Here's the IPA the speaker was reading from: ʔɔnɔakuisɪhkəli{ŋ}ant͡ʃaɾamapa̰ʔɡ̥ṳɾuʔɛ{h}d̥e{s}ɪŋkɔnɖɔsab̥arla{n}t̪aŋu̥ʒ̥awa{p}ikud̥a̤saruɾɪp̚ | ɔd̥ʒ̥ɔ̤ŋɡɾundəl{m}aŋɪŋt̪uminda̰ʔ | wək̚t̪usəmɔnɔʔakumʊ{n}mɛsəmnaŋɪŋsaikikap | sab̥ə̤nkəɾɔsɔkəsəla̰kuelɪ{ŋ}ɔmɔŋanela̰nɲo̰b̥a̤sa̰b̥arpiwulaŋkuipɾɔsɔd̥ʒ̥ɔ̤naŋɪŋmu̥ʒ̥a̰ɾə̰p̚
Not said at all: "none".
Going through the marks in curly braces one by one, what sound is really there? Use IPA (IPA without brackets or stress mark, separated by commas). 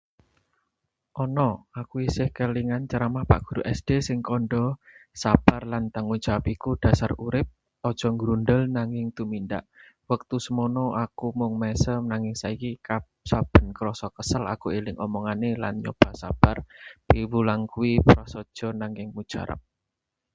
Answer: ŋ, s, s, n, p, n, ŋ, ŋ